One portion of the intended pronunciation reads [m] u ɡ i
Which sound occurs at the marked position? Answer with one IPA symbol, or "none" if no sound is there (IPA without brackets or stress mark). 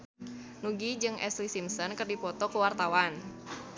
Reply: n